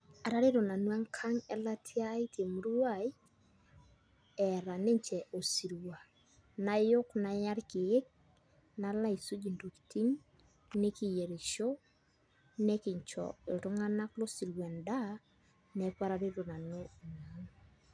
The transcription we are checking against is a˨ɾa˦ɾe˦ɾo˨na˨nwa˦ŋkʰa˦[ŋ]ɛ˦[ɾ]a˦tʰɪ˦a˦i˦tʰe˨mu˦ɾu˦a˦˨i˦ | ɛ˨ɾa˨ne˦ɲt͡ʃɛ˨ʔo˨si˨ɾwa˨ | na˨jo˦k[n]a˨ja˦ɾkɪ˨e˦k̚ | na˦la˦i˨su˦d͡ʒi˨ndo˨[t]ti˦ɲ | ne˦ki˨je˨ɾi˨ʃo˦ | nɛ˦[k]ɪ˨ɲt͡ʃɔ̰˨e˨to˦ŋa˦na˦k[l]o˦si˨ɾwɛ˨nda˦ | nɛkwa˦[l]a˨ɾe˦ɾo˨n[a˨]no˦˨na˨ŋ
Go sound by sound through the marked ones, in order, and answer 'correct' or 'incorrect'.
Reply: correct, incorrect: l, correct, incorrect: k, correct, correct, incorrect: ɾ, correct

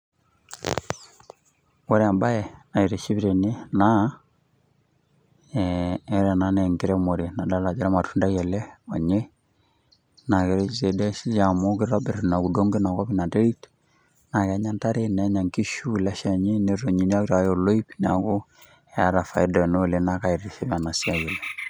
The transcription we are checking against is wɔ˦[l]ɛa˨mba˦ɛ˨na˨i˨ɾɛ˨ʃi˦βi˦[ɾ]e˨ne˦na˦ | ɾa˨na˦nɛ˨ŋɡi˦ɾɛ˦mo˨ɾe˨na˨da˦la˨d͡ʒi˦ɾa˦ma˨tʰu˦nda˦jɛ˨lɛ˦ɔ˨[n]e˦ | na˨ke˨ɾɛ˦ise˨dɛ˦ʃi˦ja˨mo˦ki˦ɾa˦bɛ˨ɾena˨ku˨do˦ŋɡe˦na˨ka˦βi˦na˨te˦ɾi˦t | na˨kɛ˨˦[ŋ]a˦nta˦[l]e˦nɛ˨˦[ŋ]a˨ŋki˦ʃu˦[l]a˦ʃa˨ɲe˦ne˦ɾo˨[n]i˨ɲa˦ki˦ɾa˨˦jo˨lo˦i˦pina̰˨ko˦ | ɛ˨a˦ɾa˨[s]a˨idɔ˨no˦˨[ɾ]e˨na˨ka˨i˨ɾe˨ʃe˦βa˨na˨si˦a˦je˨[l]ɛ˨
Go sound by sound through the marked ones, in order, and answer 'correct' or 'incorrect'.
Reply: incorrect: ɾ, correct, incorrect: ɲ, incorrect: ɲ, incorrect: ɾ, incorrect: ɲ, correct, incorrect: ɲ, incorrect: f, incorrect: l, correct

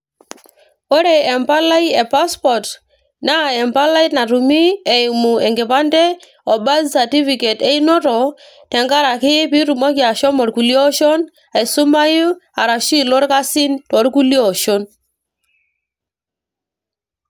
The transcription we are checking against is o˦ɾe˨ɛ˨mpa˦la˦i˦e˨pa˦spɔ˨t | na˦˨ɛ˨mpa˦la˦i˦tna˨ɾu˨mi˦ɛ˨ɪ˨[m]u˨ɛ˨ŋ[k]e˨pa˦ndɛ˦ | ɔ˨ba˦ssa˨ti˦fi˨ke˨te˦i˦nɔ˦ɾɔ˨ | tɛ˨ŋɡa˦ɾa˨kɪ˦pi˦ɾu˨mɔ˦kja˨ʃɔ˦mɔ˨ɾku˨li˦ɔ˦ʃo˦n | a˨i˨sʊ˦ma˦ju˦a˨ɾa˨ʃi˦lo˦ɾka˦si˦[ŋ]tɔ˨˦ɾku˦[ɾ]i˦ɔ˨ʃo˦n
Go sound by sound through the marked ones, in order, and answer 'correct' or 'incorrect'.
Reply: correct, incorrect: ɡ, incorrect: n, incorrect: l

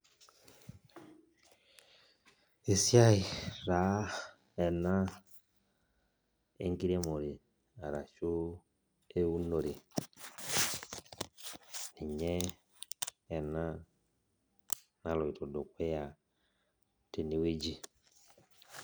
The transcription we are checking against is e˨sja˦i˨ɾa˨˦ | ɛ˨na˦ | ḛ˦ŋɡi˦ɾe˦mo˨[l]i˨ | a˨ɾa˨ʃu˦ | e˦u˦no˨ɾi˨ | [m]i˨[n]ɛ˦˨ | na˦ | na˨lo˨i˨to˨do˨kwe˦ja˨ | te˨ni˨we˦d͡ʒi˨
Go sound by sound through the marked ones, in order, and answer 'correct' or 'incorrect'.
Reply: incorrect: ɾ, incorrect: n, incorrect: ɲ

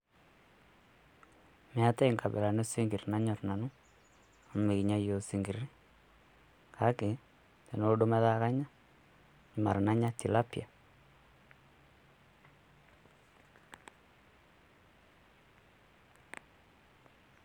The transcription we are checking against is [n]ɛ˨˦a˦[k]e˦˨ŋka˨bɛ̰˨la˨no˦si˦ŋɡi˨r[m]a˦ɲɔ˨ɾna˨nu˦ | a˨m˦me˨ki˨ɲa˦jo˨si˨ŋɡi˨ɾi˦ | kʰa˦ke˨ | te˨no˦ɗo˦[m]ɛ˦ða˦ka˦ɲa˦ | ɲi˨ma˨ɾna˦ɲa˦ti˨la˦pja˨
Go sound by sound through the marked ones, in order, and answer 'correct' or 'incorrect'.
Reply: incorrect: m, incorrect: t, incorrect: n, correct

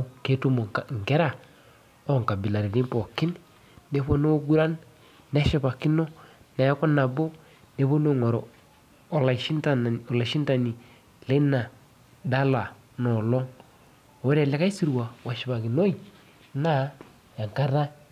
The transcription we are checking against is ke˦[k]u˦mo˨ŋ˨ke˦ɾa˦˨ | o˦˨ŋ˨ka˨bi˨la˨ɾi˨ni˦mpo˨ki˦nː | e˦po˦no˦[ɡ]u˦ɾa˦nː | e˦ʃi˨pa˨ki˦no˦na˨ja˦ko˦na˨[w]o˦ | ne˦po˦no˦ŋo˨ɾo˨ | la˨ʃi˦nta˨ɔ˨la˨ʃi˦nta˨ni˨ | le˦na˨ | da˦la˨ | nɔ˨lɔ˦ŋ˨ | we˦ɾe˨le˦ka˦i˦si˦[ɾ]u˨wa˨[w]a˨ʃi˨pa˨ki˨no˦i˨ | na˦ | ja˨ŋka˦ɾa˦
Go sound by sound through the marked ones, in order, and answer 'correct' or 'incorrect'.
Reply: incorrect: t, correct, incorrect: b, correct, correct

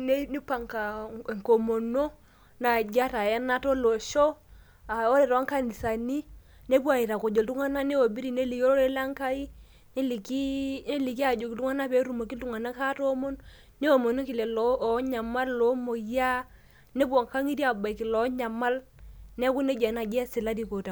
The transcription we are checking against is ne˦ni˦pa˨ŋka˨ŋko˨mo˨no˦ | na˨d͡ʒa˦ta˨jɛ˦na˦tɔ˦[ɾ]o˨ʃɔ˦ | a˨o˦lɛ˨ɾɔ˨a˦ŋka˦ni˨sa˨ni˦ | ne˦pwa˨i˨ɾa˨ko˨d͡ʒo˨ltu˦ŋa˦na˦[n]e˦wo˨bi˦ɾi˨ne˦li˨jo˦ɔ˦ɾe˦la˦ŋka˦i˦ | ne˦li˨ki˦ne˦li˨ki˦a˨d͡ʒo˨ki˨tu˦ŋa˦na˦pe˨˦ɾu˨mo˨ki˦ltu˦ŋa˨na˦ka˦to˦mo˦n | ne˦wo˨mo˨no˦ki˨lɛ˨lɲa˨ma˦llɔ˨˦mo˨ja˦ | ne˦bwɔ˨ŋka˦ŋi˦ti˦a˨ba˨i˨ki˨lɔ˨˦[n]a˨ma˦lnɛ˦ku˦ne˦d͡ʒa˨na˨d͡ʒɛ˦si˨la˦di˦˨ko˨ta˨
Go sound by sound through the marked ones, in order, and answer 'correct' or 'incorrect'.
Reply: incorrect: l, correct, incorrect: ɲ

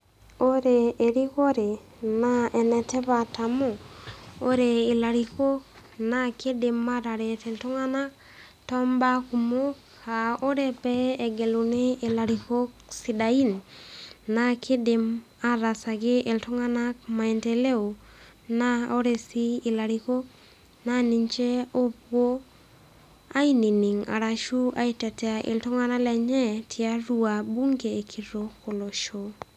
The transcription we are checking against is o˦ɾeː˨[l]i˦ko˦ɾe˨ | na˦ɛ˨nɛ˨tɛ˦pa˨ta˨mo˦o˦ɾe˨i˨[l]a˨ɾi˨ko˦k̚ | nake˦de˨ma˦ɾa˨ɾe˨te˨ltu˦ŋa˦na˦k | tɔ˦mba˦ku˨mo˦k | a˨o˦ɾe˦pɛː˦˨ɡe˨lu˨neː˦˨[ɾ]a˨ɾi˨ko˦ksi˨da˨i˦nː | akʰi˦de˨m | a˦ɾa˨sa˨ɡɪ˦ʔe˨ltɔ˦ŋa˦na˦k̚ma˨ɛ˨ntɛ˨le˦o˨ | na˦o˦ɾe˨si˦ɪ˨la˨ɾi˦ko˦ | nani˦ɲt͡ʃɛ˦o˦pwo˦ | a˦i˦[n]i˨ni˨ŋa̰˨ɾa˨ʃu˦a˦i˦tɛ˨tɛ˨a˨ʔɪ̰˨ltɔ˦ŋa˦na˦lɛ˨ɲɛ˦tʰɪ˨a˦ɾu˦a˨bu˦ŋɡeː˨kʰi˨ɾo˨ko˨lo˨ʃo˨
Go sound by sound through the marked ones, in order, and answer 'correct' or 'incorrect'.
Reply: incorrect: ɾ, correct, incorrect: l, correct

